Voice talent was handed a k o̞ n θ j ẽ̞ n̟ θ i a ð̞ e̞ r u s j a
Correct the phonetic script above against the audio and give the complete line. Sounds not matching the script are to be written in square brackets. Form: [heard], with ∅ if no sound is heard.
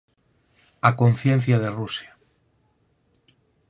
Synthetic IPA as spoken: a k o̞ n θ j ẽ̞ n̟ θ [j] a ð̞ e̞ r u s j a